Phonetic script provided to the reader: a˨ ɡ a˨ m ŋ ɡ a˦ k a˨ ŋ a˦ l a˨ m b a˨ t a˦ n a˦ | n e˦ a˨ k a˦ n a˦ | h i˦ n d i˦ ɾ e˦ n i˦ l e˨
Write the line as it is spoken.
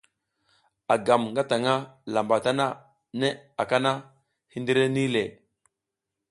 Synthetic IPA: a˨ ɡ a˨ m ŋ ɡ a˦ t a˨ ŋ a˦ l a˨ m b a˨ t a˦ n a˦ | n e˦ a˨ k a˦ n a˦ | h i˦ n d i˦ ɾ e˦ n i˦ l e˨